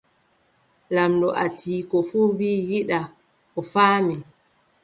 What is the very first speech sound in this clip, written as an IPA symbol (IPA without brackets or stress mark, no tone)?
l